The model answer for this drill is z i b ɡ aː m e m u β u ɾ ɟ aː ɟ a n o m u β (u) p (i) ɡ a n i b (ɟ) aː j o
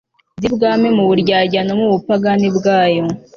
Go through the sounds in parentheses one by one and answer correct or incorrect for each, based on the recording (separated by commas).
correct, incorrect, incorrect